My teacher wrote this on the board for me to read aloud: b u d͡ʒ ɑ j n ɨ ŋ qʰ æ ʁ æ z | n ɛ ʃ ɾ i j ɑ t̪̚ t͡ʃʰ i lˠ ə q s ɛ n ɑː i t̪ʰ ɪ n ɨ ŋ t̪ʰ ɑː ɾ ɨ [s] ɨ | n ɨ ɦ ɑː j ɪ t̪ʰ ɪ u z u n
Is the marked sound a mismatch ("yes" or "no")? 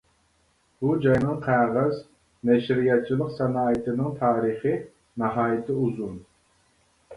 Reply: yes